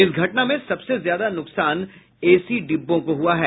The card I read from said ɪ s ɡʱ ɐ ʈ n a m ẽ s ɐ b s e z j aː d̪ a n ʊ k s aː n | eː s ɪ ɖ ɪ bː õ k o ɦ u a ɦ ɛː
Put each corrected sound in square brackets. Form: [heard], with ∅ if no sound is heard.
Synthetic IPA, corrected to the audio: ɪ s ɡʱ ɐ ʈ n a m ẽ s ɐ b s e z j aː d̪ a n ʊ k s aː n | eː s [i] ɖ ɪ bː õ k o ɦ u a ɦ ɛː

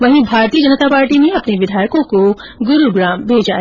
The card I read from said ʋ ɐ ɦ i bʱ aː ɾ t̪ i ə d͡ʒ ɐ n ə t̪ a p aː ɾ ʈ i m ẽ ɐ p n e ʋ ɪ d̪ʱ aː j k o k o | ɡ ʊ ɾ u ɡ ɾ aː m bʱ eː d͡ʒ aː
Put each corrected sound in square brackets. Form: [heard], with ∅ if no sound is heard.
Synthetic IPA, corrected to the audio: ʋ ɐ ɦ [ĩ] bʱ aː ɾ t̪ i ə d͡ʒ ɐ n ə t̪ a p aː ɾ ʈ i m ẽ ɐ p n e ʋ ɪ d̪ʱ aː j k [õ] k o | ɡ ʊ ɾ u ɡ ɾ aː m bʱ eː d͡ʒ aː

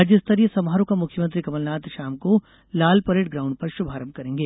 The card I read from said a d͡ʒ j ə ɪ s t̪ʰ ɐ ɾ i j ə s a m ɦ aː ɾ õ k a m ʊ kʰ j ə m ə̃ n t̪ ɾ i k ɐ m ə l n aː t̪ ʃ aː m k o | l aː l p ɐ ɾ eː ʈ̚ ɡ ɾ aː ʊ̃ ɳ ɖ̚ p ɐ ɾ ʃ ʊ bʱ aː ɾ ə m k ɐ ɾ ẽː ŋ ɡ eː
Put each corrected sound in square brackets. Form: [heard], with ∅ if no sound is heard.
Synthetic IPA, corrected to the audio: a d͡ʒ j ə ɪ s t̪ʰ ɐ ɾ i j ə s [ɐ] m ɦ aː ɾ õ k a m ʊ kʰ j ə m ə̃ n t̪ ɾ i k ɐ m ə l n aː t̪ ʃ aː m k o | l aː l p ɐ ɾ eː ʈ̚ ɡ ɾ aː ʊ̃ ɳ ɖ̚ p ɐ ɾ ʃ ʊ bʱ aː ɾ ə m k ɐ ɾ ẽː ŋ ɡ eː

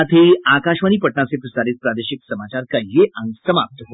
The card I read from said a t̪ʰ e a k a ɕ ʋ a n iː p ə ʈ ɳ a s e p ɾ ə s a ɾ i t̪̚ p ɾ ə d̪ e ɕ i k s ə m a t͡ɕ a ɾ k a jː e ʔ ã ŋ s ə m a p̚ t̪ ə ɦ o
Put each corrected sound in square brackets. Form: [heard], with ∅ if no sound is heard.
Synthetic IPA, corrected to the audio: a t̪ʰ e a k a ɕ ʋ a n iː p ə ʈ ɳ a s e p ɾ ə s a ɾ i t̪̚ p ɾ [a] d̪ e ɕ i k s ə m a t͡ɕ a ɾ k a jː e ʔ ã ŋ s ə m a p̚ t̪ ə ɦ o

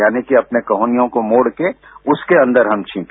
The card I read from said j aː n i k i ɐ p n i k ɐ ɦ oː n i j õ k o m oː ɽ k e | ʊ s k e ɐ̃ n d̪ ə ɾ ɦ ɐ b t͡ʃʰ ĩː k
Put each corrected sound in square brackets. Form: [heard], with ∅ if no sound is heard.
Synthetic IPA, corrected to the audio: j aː n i k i ɐ p n [e] k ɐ ɦ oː n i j õ k o m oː ɽ k e | ʊ s k e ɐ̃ n d̪ ə ɾ ɦ ɐ [m] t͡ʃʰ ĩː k

